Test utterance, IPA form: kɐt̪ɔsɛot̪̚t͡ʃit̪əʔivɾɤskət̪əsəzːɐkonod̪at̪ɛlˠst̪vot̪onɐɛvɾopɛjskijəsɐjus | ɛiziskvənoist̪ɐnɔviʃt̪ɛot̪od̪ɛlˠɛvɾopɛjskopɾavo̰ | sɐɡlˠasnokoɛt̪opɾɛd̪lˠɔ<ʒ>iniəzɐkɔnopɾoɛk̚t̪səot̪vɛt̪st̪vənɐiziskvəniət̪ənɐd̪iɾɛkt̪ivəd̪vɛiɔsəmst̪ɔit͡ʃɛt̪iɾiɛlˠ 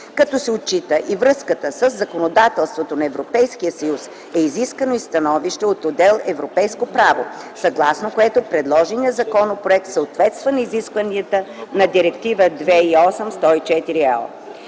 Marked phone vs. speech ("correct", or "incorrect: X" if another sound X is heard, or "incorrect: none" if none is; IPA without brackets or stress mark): correct